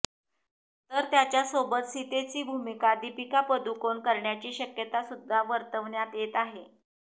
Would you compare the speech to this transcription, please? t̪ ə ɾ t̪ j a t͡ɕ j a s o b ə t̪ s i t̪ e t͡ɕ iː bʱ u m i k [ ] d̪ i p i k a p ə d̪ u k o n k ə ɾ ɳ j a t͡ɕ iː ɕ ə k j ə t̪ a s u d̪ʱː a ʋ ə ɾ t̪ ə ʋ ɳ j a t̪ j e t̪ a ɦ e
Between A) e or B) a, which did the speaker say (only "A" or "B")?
B